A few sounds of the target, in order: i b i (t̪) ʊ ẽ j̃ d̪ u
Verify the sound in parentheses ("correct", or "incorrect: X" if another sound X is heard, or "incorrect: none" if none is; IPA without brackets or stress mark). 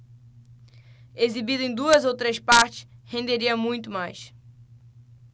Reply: incorrect: d̪